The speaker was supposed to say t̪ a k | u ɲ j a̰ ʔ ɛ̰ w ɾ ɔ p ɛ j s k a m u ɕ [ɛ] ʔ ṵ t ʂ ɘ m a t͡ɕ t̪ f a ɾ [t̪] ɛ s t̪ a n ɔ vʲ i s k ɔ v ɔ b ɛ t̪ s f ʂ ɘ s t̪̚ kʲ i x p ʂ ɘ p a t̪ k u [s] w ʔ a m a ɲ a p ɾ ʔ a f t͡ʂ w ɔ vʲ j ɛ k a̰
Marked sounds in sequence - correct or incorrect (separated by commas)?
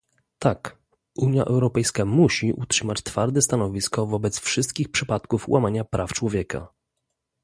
incorrect, incorrect, incorrect